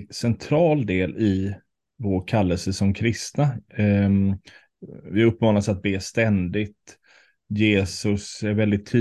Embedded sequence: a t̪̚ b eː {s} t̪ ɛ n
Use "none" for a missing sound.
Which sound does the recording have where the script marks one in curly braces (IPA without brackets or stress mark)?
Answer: s